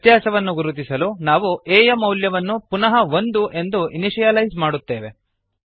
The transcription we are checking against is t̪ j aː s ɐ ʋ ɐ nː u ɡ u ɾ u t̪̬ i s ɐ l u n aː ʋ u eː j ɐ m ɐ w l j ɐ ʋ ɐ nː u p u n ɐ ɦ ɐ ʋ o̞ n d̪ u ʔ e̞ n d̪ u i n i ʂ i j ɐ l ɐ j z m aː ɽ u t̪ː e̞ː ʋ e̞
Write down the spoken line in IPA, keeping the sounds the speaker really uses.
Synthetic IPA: t̪ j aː s ɐ ʋ ɐ nː u ɡ u ɾ u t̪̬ i s ɐ l u n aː ʋ u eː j ɐ m ɐ w l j ɐ ʋ ɐ nː u p u n ɐ ɦ ɐ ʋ o̞ n d̪ u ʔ e̞ n d̪ u i n i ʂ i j ɐ l ɐ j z m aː ɽ u t̪ː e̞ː ʋ e̞